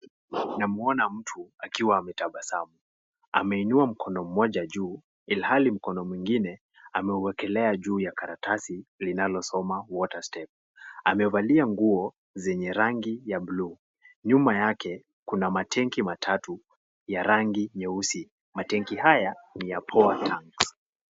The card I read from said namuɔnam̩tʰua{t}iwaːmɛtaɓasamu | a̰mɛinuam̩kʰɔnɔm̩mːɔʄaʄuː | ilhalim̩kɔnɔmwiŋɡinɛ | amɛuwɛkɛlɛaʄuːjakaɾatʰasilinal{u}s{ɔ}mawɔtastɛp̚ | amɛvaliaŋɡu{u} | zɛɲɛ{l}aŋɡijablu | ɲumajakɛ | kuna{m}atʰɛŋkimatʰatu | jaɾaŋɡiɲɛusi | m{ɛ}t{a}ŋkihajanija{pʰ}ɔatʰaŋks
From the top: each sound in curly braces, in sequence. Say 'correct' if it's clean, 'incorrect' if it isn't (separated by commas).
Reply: incorrect, incorrect, correct, incorrect, incorrect, correct, incorrect, incorrect, correct